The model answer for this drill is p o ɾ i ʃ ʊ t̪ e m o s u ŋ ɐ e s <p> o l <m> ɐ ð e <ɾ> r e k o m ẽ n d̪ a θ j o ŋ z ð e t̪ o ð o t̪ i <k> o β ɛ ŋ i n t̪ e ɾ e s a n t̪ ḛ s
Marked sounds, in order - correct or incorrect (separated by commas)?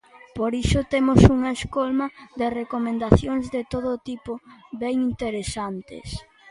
incorrect, correct, incorrect, incorrect